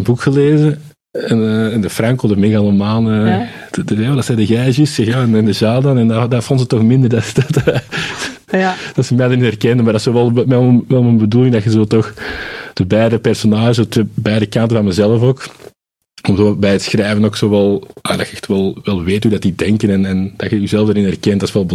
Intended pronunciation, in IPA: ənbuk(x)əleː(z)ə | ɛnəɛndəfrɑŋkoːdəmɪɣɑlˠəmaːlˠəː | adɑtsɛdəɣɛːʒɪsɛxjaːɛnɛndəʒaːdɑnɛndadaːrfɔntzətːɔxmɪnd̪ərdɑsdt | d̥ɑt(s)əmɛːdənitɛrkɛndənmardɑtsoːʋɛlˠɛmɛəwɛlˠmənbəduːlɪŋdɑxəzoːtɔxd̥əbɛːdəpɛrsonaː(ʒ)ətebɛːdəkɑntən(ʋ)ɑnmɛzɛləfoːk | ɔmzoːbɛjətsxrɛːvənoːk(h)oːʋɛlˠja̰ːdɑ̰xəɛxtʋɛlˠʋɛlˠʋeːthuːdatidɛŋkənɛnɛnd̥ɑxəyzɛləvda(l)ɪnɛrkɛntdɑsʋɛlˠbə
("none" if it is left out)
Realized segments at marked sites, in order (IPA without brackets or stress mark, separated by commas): x, z, s, ʒ, v, s, ɾ